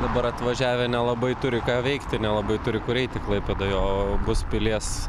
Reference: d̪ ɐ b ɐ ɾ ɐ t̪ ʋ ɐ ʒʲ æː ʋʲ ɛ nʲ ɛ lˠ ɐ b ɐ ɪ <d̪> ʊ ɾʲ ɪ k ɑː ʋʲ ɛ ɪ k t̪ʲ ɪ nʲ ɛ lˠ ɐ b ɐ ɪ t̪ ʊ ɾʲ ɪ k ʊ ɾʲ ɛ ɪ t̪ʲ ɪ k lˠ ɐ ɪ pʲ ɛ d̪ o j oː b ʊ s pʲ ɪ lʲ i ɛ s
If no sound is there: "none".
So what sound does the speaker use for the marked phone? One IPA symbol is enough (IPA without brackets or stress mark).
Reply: t̪